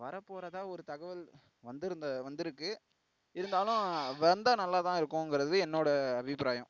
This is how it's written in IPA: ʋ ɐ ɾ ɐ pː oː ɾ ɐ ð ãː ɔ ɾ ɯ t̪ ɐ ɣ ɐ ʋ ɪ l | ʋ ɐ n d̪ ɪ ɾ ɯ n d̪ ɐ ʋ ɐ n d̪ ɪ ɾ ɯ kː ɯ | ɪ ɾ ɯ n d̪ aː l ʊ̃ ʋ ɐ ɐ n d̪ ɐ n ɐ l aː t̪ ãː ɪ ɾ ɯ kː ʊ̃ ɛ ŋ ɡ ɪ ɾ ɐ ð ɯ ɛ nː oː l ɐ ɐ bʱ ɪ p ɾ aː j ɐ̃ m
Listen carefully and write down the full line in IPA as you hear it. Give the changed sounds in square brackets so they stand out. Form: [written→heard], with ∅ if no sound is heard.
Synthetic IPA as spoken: ʋ ɐ ɾ ɐ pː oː ɾ ɐ ð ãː ɔ ɾ ɯ t̪ ɐ ɣ ɐ ʋ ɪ l | ʋ ɐ n d̪ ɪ ɾ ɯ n d̪ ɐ ʋ ɐ n d̪ ɪ ɾ ɯ kː ɯ | ɪ ɾ ɯ n d̪ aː l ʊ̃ ʋ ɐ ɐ n d̪ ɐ n ɐ [l→lː] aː t̪ ãː ɪ ɾ ɯ kː ʊ̃ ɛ ŋ ɡ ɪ ɾ ɐ ð ɯ ɛ nː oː [l→ɽ] ɐ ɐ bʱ ɪ p ɾ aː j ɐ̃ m